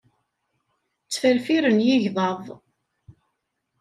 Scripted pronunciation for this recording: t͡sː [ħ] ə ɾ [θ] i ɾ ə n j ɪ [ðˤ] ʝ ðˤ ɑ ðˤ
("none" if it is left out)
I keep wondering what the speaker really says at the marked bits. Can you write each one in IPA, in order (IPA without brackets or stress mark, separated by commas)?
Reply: f, f, none